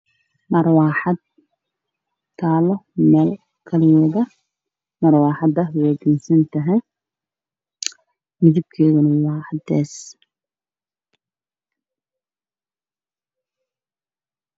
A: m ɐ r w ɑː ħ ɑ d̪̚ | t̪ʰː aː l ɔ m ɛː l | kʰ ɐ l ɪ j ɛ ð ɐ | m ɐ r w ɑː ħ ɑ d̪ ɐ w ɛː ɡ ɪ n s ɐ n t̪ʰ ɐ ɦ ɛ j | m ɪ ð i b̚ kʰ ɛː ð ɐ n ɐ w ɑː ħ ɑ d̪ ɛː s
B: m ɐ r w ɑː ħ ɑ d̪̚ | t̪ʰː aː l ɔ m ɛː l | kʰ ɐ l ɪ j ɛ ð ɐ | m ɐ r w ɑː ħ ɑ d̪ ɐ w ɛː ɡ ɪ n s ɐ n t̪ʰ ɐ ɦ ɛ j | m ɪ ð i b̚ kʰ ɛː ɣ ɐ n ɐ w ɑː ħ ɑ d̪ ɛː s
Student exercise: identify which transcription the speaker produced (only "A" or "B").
B